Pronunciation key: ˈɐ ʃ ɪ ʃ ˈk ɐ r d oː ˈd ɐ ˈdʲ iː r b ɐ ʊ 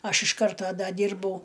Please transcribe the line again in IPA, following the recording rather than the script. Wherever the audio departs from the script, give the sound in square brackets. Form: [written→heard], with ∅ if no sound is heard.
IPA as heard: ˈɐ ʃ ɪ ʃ ˈk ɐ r [d→t] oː ˈd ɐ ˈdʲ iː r b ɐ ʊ